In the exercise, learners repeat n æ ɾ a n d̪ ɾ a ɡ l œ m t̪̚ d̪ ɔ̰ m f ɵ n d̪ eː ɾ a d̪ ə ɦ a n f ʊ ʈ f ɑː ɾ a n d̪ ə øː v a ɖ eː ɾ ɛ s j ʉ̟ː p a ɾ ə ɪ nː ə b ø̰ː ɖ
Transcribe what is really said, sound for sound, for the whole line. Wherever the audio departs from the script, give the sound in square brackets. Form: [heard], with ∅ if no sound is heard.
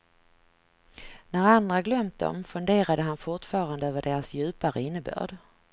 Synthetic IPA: n æ ɾ a n d̪ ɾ a ɡ l œ m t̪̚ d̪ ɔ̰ m f ɵ n d̪ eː ɾ a d̪ ə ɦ a n f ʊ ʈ f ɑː ɾ a n d̪ ə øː v [ə] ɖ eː ɾ [a] s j ʉ̟ː p a ɾ ə ɪ nː ə b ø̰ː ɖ